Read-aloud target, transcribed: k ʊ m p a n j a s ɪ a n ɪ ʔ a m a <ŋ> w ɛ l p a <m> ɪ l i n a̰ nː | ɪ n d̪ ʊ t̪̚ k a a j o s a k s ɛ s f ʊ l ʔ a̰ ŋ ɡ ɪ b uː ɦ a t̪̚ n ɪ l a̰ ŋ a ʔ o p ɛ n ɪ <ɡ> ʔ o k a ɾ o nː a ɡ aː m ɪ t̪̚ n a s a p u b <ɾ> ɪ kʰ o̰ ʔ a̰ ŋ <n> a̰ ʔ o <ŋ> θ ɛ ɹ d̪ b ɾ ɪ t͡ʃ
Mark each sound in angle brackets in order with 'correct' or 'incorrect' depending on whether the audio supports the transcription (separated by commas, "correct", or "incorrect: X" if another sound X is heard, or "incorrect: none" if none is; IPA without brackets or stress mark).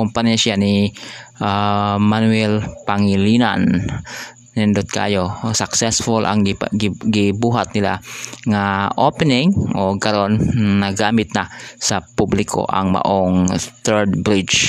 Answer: incorrect: n, incorrect: ŋ, incorrect: ŋ, incorrect: l, incorrect: m, correct